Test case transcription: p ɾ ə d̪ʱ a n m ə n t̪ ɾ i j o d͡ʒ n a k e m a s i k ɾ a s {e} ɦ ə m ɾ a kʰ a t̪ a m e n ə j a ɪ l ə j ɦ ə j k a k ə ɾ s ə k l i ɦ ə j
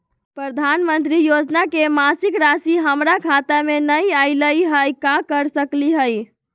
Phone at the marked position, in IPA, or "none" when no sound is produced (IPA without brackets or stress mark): i